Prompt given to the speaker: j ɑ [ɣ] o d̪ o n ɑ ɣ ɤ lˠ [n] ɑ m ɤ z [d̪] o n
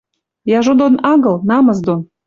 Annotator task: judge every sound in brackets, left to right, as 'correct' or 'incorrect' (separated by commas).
incorrect, correct, correct